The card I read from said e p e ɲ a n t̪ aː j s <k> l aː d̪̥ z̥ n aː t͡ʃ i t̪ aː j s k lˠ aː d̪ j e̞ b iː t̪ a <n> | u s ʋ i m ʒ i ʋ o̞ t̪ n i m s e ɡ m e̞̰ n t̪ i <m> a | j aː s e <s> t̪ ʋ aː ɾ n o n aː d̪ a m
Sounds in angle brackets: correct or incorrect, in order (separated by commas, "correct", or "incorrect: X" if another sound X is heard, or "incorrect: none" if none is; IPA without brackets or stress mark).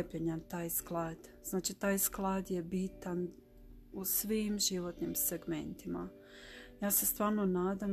correct, correct, correct, correct